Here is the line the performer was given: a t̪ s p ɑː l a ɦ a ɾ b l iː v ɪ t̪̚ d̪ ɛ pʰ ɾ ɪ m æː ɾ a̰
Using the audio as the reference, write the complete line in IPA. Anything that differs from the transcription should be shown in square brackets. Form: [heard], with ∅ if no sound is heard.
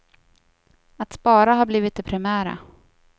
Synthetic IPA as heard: a t̪ s p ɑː [ɾ] a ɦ a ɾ b l iː v ɪ t̪̚ d̪ ɛ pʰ ɾ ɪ m æː ɾ a̰